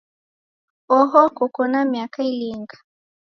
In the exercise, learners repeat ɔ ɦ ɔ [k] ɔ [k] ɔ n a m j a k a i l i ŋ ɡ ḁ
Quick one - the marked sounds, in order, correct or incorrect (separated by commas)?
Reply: correct, correct